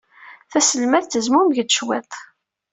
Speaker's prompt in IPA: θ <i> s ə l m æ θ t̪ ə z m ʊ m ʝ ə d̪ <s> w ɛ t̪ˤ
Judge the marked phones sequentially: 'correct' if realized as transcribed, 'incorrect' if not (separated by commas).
incorrect, incorrect